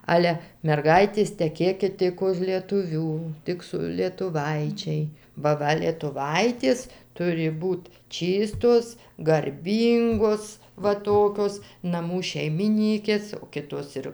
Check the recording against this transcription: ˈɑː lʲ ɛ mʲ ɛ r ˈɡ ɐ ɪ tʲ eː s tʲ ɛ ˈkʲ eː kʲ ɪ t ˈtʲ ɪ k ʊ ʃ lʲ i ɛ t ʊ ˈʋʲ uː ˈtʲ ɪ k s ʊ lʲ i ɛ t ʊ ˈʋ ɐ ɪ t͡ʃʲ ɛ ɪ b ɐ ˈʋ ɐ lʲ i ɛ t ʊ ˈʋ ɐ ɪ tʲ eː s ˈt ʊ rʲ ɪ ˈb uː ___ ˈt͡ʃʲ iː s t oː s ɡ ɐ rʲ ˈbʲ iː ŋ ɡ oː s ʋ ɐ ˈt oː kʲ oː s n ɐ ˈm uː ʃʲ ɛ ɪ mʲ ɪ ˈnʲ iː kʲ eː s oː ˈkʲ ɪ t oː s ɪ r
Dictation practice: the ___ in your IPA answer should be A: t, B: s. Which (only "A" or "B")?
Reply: A